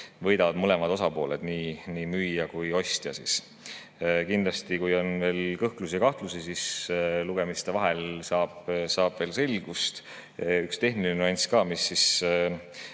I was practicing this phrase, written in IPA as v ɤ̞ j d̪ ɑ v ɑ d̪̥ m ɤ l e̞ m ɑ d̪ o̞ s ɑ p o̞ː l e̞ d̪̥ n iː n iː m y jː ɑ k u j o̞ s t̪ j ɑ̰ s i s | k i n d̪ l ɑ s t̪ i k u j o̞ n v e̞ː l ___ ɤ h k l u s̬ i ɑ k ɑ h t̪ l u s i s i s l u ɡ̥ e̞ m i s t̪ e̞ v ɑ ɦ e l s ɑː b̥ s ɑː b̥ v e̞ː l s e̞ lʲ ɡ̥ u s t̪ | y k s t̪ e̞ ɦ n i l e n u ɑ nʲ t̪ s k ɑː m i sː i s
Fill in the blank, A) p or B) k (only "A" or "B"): B